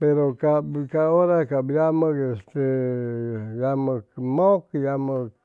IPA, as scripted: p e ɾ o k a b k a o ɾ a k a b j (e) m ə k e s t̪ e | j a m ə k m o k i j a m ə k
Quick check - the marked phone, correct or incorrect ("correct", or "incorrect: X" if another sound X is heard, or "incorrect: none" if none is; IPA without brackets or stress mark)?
incorrect: a